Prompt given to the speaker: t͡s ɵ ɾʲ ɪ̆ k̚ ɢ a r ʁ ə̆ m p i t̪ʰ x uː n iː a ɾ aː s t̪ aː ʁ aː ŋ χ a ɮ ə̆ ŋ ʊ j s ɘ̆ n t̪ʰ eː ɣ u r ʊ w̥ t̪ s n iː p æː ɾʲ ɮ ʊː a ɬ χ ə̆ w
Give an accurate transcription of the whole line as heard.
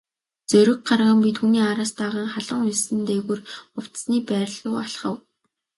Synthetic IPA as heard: t͡s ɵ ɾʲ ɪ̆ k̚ ɢ a r ʁ ə̆ m p i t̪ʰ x uː n iː a ɾ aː s t̪ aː ʁ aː ŋ χ a ɮ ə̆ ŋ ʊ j s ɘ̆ n t̪ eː ɣ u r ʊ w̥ t̪ s n iː p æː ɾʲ ɮ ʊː a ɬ χ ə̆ w